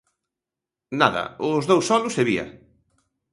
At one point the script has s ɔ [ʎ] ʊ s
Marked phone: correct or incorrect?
incorrect: l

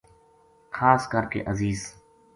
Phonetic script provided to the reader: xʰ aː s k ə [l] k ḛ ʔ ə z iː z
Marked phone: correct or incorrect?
incorrect: ɾ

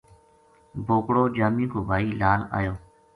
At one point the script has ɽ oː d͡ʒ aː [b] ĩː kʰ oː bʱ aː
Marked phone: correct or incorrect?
incorrect: m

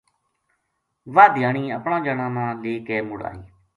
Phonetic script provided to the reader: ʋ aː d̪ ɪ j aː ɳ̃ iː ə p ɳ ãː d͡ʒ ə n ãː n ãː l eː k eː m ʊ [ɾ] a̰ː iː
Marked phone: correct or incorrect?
incorrect: ɽ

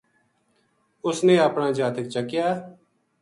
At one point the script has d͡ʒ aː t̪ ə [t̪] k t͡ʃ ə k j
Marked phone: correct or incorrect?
incorrect: none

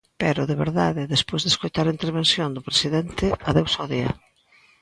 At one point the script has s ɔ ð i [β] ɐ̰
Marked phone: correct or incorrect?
incorrect: none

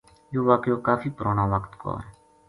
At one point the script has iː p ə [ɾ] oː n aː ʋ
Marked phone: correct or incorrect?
correct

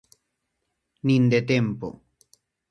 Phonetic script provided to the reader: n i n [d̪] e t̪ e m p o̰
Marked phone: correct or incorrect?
correct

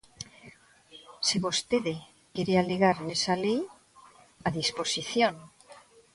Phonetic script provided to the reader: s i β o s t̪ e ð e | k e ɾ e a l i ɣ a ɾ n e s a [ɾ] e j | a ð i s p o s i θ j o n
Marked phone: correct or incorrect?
incorrect: l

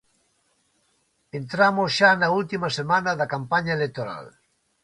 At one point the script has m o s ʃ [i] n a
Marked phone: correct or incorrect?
incorrect: a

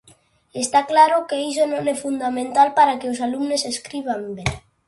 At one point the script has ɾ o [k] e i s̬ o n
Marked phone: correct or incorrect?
correct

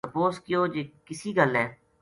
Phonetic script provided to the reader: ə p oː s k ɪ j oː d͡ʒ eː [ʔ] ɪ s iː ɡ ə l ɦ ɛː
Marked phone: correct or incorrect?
incorrect: k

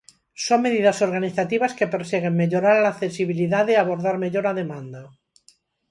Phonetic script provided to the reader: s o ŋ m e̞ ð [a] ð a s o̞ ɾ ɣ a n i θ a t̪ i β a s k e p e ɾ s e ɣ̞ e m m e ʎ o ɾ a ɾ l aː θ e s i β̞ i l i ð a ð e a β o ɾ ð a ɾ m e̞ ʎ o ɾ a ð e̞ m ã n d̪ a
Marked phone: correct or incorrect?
incorrect: i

